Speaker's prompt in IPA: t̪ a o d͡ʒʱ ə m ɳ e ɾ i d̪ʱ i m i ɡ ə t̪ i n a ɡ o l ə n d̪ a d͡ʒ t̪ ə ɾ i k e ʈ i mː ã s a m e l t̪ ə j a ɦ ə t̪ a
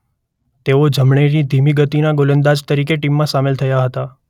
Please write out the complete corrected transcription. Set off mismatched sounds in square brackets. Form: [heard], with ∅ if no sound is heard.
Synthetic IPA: t̪ [e] o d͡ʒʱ ə m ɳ e ɾ i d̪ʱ i m i ɡ ə t̪ i n a ɡ o l ə n d̪ a d͡ʒ t̪ ə ɾ i k e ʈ i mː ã s a m e l [t̪ʰ] ə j a ɦ ə t̪ a